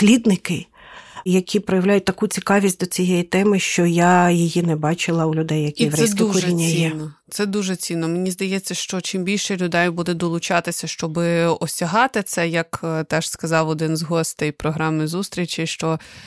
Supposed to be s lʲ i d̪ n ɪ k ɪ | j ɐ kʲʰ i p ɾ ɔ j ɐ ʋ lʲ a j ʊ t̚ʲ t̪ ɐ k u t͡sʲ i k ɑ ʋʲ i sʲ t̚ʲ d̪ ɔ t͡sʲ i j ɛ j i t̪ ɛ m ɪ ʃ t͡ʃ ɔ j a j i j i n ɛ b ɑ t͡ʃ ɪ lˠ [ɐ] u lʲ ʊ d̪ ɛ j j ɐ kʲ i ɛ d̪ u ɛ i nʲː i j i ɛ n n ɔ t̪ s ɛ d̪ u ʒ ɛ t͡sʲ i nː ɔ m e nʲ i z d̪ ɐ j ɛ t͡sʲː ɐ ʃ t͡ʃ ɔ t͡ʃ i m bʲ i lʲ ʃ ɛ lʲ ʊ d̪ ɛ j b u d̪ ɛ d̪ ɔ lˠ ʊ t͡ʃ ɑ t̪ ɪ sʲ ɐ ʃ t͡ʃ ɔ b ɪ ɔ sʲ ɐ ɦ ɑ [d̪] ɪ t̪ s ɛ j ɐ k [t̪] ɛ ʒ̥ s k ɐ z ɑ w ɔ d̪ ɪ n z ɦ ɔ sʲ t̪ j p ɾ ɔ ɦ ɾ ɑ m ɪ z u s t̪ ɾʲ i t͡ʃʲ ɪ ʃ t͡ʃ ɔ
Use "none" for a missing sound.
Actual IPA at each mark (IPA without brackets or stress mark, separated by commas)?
ɐ, t̪, t̪